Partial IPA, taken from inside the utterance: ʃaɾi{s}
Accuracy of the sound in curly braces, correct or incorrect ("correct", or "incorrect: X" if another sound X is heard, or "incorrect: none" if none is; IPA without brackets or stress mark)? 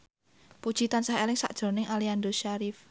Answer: incorrect: f